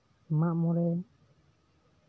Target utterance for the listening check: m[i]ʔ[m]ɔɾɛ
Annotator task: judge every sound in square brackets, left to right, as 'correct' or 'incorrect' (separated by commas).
incorrect, correct